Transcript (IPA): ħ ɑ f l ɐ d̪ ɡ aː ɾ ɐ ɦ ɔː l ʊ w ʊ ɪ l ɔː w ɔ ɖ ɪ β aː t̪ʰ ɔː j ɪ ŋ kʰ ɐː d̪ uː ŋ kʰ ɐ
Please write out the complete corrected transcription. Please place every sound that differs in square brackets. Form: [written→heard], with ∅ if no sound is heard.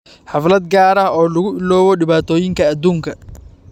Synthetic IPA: ħ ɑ f l ɐ d̪ ɡ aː ɾ ɐ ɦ ɔː l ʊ [w→ɣ] ʊ ɪ l ɔː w ɔ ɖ ɪ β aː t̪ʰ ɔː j ɪ ŋ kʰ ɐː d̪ uː ŋ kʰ ɐ